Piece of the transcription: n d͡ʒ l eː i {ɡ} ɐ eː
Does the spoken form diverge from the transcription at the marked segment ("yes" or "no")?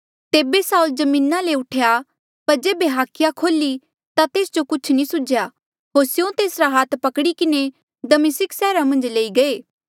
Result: no